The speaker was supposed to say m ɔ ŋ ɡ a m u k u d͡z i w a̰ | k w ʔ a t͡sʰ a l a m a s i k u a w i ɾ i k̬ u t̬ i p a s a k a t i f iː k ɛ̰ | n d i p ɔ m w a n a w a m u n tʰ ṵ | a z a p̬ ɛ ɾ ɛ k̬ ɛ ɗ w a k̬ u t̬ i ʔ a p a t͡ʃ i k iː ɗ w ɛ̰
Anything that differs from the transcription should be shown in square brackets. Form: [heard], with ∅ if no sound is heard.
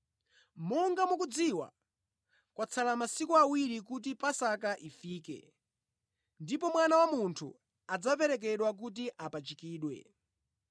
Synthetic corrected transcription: m ɔ ŋ ɡ a m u k u d͡z i w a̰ | k w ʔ a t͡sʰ a l a m a s i k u a w i ɾ i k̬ u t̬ i p a s a k a [ʔ] i f iː k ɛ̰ | n d i p ɔ m w a n a w a m u n tʰ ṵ | a [d͡z] a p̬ ɛ ɾ ɛ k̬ ɛ ɗ w a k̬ u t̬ i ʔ a p a t͡ʃ i k iː ɗ w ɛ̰